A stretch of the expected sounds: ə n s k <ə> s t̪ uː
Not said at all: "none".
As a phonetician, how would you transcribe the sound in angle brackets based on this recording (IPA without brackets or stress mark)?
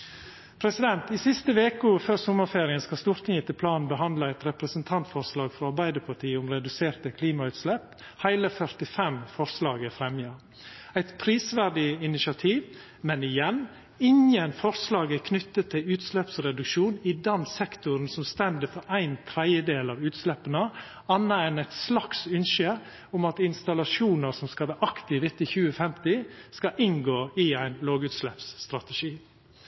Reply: ɑ